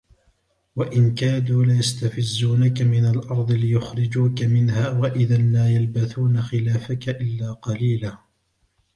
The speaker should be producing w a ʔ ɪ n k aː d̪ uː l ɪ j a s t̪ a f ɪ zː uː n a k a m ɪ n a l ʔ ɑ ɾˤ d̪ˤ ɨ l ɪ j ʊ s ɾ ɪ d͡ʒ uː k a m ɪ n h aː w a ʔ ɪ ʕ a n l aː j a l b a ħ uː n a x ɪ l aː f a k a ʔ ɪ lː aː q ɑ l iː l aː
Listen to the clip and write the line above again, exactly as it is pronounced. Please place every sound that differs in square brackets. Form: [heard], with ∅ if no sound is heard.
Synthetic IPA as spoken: w a ʔ ɪ n k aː d̪ uː l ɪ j a s t̪ a f ɪ zː uː n a k a m ɪ n a l ʔ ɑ ɾˤ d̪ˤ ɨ l ɪ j ʊ [x] ɾ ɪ d͡ʒ uː k a m ɪ n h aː w a ʔ ɪ [ð] a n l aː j a l b a [θ] uː n a x ɪ l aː f a k a ʔ ɪ lː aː q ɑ l iː l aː